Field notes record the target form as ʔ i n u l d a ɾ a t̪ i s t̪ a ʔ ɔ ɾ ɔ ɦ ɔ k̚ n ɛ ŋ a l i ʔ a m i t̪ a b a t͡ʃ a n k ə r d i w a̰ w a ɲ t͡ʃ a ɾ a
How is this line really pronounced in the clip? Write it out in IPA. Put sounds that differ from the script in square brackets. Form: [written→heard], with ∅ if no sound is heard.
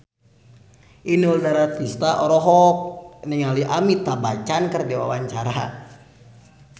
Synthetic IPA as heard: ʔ i n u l d a ɾ a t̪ i s t̪ a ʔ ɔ ɾ ɔ ɦ ɔ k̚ n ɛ ŋ a l i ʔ a m i t̪ a b a t͡ʃ a n k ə r d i w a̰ w a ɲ t͡ʃ a ɾ a